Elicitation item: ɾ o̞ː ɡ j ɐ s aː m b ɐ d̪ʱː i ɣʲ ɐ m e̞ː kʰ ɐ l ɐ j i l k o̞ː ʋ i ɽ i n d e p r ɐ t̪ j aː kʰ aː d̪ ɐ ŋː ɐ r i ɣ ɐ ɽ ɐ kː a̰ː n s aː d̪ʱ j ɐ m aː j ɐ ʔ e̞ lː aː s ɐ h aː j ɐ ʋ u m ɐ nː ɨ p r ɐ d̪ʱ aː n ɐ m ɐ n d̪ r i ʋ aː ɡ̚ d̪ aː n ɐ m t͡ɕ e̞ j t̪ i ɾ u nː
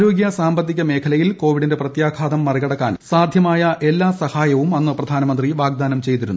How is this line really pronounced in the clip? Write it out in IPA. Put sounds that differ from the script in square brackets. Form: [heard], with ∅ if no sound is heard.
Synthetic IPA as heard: ɾ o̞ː ɡ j ɐ s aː m b ɐ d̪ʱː i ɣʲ ɐ m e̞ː kʰ ɐ l ɐ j i l k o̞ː ʋ i ɽ i n d e p r ɐ t̪ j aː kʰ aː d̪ ɐ [mː] ɐ r i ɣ ɐ ɽ ɐ kː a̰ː n s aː d̪ʱ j ɐ m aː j ɐ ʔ e̞ lː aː s ɐ h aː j ɐ ʋ u m ɐ nː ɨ p r ɐ d̪ʱ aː n ɐ m ɐ n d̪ r i ʋ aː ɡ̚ d̪ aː n ɐ m t͡ɕ e̞ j t̪ i ɾ u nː